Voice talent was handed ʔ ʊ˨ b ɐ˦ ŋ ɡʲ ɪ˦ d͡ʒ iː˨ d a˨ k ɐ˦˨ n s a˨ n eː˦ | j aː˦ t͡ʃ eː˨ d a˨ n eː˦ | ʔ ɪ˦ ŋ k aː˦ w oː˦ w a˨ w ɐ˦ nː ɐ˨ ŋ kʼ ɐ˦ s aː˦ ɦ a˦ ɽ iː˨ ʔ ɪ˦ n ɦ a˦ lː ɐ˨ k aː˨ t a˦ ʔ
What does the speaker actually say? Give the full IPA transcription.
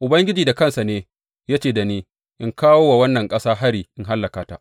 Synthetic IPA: ʔ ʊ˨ b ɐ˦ ŋ ɡʲ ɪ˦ d͡ʒ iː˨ d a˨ k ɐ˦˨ n s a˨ n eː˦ | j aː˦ t͡ʃ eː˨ d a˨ n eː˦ | ʔ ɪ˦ ŋ k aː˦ w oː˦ w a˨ w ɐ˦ nː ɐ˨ ŋ kʼ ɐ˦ s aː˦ ɦ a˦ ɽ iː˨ ʔ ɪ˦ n ɦ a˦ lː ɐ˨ k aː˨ t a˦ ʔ